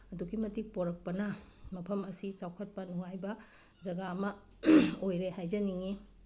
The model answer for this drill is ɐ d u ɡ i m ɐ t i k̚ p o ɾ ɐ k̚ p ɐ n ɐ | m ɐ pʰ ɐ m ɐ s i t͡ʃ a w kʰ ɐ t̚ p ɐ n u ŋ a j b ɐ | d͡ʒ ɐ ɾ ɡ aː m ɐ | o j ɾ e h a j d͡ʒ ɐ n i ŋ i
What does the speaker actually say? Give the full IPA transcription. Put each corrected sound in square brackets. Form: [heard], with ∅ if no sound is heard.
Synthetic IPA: ɐ d u ɡ i m ɐ t i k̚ p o ɾ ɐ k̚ p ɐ n ɐ | m ɐ pʰ ɐ m ɐ s i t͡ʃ a w kʰ ɐ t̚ p ɐ n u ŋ a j b ɐ | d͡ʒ ɐ [∅] ɡ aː m ɐ | o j ɾ e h a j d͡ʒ ɐ n i ŋ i